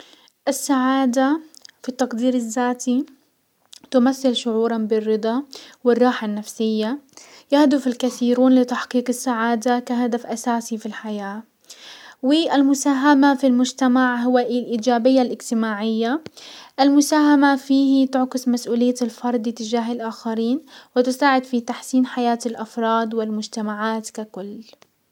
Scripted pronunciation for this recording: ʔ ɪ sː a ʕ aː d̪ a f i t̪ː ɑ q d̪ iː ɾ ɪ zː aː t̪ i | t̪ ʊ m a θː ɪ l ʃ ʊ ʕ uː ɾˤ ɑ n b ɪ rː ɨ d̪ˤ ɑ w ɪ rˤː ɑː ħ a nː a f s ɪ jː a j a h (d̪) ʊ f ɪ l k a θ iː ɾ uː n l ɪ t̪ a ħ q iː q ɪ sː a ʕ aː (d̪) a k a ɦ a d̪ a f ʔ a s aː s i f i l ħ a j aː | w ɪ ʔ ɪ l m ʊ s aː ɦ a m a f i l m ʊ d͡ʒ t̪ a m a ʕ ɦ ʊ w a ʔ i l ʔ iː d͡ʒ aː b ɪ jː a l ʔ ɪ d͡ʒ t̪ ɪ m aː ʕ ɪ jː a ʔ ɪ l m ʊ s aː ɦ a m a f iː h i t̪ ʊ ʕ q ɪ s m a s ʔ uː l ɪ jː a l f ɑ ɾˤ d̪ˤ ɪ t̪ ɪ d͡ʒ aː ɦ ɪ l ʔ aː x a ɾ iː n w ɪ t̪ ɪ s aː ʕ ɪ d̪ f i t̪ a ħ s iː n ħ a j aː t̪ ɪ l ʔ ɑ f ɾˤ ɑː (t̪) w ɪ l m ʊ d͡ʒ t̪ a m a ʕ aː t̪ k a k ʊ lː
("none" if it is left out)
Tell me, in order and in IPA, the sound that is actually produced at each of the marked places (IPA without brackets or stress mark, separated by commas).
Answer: d̪, d̪, d̪